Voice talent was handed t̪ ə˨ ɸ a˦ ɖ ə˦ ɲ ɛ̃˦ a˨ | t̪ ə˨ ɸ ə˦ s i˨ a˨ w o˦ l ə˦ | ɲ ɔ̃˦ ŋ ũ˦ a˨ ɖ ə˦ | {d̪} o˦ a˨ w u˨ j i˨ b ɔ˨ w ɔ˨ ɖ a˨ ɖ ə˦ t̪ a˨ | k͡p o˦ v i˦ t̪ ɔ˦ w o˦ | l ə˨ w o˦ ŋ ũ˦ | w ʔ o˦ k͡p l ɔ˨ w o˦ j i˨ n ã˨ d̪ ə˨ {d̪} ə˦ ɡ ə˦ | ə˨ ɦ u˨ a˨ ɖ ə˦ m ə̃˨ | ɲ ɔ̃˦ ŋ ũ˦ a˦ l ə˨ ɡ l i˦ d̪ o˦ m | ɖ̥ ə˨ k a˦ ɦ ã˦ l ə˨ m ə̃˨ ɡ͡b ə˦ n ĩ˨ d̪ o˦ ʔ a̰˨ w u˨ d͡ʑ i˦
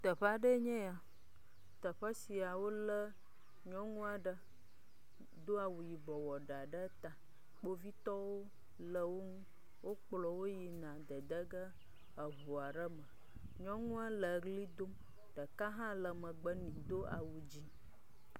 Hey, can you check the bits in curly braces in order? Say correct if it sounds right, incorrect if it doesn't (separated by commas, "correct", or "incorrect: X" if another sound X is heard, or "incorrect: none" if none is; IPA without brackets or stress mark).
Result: correct, correct